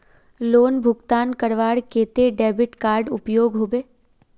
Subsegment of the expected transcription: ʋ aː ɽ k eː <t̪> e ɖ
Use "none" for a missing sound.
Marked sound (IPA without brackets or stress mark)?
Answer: t̪